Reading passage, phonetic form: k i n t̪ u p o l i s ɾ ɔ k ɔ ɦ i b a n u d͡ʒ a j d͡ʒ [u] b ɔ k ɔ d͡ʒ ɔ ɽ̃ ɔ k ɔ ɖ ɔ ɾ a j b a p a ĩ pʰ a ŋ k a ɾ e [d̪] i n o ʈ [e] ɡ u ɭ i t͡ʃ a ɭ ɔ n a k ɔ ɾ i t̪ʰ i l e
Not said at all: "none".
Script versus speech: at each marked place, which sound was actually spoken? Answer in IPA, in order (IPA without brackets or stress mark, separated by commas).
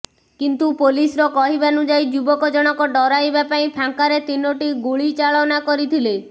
u, t̪, i